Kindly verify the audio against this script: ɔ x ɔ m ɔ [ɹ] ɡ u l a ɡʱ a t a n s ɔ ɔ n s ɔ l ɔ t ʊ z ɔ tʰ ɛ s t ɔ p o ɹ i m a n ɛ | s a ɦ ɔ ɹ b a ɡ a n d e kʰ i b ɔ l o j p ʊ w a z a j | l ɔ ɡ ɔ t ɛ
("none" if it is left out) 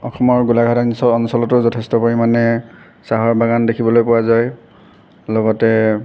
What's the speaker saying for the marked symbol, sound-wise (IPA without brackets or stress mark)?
ɹ